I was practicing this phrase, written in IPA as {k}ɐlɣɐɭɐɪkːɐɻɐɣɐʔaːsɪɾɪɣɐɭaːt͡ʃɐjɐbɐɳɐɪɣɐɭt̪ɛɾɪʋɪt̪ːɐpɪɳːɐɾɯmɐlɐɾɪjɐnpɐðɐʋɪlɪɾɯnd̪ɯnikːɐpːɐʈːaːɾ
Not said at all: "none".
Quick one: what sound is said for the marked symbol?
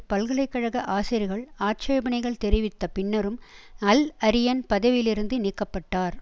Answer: p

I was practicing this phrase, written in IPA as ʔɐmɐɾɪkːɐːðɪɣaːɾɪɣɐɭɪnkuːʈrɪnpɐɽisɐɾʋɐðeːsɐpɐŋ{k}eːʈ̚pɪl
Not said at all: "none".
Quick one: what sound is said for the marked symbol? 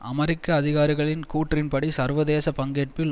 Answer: ɡ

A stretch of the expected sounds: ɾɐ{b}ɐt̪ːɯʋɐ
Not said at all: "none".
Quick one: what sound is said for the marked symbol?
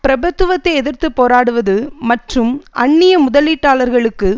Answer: b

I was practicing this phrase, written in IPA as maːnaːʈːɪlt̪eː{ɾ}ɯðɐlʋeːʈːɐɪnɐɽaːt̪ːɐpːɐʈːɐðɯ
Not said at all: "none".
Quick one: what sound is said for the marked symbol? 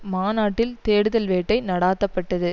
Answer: ɽ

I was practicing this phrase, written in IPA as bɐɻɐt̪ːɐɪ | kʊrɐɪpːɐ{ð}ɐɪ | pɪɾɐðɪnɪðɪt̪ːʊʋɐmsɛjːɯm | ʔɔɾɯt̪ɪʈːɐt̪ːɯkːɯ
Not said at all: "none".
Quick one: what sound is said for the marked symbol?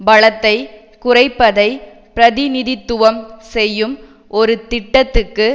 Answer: ð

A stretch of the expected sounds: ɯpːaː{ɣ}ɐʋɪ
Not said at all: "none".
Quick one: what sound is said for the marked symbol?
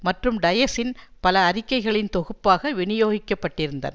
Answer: ɣ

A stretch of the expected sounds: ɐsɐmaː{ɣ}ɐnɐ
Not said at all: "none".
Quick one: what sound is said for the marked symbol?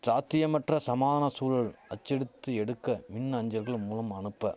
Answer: ð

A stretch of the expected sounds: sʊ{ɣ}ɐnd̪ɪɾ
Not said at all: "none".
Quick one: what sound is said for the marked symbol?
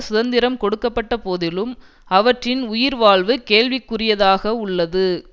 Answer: ð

